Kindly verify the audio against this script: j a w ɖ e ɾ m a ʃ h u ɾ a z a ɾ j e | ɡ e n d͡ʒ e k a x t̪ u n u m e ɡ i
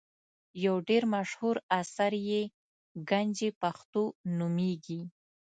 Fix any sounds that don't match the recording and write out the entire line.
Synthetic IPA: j a w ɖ e ɾ m a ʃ h u ɾ a s a ɾ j e | ɡ a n d͡ʒ e p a x t̪ o n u m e ɡ i